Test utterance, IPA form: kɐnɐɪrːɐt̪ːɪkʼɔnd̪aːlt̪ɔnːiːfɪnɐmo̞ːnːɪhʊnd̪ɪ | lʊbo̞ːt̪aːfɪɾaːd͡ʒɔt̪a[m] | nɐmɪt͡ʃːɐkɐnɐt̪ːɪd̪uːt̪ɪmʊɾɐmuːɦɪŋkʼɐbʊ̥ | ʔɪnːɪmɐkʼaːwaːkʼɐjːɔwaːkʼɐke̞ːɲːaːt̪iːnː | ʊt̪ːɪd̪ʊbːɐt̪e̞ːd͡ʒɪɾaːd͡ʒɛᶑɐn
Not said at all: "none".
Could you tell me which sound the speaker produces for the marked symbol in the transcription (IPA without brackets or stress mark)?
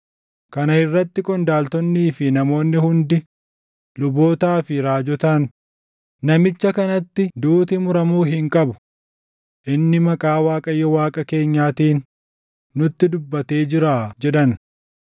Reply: n